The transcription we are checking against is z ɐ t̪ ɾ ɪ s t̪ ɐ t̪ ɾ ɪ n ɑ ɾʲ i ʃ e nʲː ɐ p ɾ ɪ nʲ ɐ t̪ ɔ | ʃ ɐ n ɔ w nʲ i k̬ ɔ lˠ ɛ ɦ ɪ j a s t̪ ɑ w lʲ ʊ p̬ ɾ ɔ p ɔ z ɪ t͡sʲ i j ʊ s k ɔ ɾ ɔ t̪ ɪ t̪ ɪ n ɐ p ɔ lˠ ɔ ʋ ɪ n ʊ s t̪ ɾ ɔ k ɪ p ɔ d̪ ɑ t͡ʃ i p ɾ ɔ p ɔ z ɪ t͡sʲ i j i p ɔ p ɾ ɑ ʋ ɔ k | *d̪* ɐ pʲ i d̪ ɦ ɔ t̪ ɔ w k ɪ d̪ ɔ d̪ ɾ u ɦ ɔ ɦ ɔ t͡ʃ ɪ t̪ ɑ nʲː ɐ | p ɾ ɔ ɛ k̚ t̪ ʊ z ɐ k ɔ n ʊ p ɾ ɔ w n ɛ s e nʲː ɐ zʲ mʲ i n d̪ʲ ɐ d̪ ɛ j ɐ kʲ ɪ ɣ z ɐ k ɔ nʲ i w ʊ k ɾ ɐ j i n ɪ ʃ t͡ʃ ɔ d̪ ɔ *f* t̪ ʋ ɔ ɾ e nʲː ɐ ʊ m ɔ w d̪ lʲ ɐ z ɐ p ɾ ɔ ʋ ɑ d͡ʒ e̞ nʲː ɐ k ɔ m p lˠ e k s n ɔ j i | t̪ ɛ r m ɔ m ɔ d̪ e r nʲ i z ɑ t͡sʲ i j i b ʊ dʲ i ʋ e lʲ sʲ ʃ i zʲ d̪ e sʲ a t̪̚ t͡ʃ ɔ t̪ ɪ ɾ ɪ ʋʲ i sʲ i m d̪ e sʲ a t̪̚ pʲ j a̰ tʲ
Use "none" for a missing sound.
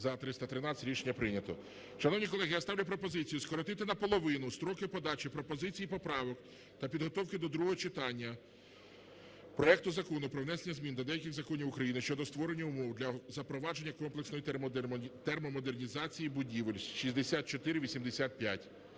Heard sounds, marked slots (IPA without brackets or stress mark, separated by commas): t̪, s